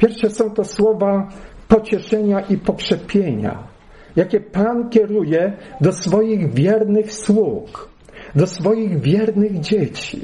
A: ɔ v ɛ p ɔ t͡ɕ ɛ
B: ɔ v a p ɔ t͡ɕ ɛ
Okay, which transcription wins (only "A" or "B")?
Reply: B